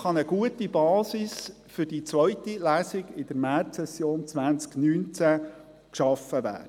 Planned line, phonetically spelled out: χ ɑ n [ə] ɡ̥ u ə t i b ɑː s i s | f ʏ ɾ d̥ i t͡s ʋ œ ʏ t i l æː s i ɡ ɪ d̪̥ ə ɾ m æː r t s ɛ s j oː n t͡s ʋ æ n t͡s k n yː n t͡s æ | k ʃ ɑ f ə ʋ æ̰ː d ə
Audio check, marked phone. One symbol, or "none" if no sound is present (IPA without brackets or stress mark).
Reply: ə